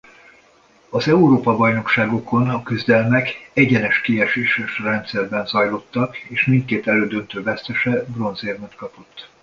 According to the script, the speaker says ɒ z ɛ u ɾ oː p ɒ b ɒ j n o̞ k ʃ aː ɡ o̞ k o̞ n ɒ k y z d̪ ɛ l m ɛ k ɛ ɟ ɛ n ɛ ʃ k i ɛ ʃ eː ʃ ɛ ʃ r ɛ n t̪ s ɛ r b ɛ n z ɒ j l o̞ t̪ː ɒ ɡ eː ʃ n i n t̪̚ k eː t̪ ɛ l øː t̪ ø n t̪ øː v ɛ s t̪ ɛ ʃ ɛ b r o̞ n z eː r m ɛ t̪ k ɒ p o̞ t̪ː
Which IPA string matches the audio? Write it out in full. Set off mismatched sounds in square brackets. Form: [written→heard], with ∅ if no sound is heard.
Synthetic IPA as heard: ɒ z ɛ u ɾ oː p ɒ b ɒ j n o̞ k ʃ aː ɡ o̞ k o̞ n ɒ k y z d̪ ɛ l m ɛ k ɛ ɟ ɛ n ɛ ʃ k i ɛ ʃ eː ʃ ɛ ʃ r ɛ n t̪ s ɛ r b ɛ n z ɒ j l o̞ t̪ː ɒ [ɡ→k] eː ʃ [n→m] i n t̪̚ k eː t̪ ɛ l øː [t̪→d̪] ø n t̪ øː v ɛ s t̪ ɛ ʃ ɛ b r o̞ n z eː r m ɛ t̪ k ɒ p o̞ t̪ː

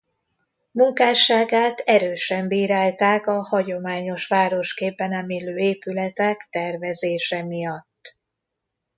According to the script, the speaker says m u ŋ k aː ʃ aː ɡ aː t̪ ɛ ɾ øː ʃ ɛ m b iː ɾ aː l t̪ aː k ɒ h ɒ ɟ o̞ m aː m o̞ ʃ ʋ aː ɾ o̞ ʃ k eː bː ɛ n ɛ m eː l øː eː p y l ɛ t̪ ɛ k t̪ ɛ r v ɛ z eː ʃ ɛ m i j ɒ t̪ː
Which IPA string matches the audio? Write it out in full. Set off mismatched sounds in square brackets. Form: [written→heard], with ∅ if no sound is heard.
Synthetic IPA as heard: m u ŋ k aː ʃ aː ɡ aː t̪ ɛ ɾ øː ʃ ɛ m b iː ɾ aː l t̪ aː k ɒ h ɒ ɟ o̞ m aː [m→ɲ] o̞ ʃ ʋ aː ɾ o̞ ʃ k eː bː ɛ n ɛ m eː l øː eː p y l ɛ t̪ ɛ k t̪ ɛ r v ɛ z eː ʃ ɛ m i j ɒ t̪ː

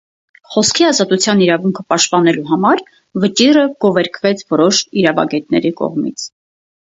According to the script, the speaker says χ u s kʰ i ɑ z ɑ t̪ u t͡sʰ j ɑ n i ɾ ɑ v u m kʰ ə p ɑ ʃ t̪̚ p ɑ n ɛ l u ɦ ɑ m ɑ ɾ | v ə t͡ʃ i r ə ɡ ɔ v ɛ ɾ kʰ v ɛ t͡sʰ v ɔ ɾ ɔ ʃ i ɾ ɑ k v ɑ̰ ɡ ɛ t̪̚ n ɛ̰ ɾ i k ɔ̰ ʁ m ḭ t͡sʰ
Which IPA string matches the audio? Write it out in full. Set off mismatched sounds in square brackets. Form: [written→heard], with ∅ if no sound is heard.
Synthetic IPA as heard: χ [u→ɔ] s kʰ i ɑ z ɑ t̪ u t͡sʰ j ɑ n i ɾ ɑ v u [m→ŋ] kʰ ə p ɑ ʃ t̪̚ p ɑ n ɛ l u ɦ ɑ m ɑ ɾ | v ə t͡ʃ i r ə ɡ ɔ v ɛ ɾ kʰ v ɛ t͡sʰ v ɔ ɾ ɔ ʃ i ɾ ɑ [k→∅] v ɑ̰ ɡ ɛ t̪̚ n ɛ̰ ɾ i k ɔ̰ ʁ m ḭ t͡sʰ

